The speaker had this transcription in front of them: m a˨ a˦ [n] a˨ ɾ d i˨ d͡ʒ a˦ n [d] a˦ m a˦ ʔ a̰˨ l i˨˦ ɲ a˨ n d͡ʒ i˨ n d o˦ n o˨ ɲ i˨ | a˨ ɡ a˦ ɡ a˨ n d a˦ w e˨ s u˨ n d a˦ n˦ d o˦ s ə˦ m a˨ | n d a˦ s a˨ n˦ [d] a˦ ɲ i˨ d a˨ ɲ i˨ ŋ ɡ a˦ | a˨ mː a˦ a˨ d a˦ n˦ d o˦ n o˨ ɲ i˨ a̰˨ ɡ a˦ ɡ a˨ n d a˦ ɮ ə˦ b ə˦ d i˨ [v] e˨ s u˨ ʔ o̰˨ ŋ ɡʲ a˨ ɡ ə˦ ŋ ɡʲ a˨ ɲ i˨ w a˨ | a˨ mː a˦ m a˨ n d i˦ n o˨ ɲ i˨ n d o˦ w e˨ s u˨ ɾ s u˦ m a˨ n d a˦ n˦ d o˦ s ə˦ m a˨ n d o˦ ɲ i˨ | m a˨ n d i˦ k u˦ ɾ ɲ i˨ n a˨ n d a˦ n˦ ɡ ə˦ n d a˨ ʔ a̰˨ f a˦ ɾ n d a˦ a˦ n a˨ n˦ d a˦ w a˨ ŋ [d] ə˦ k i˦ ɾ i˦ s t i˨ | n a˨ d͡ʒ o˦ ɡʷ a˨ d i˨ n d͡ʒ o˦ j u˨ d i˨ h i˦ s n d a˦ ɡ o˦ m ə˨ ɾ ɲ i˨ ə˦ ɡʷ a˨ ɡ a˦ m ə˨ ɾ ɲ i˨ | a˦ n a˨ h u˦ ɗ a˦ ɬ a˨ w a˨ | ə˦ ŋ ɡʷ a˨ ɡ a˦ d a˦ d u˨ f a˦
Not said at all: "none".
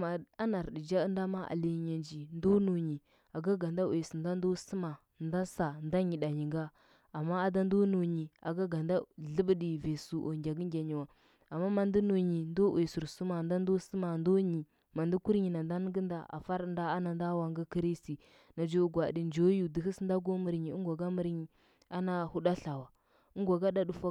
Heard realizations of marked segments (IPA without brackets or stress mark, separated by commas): n, d, d, v, ɡ